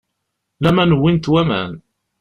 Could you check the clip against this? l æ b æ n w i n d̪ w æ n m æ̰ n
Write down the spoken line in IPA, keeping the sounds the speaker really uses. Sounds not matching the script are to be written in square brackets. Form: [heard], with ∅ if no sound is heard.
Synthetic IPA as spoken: l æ [m] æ n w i n [t̪] w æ [∅] m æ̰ n